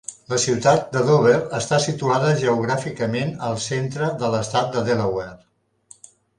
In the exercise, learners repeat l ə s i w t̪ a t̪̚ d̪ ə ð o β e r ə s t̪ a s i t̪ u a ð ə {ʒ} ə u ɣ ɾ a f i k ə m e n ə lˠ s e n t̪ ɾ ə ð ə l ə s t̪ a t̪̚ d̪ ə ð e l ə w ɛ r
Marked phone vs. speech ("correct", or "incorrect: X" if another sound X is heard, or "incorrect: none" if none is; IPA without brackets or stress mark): correct